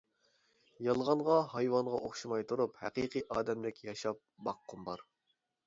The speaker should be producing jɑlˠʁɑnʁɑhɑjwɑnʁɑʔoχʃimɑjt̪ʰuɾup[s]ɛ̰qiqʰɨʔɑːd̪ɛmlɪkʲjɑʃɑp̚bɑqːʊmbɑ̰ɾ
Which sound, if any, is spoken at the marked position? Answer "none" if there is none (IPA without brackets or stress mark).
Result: h